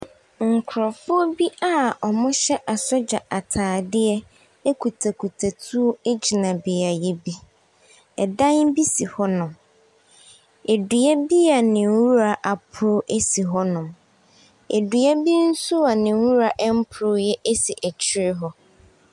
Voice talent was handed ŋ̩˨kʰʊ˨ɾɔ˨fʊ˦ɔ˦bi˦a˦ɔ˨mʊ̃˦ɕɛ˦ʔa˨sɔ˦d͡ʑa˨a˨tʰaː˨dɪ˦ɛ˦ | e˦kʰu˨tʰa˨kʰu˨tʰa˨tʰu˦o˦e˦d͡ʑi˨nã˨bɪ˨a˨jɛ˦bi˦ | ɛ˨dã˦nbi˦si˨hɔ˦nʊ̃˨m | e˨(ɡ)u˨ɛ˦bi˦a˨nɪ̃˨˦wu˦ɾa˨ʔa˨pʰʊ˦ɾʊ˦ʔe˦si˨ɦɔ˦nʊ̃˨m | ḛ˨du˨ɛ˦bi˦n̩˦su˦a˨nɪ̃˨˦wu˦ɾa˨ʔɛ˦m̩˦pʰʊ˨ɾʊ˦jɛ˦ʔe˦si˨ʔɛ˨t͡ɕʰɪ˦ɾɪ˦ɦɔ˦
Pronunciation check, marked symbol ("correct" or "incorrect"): incorrect